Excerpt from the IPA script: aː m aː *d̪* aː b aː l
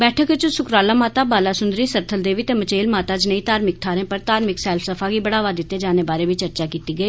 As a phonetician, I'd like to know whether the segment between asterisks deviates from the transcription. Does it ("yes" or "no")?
yes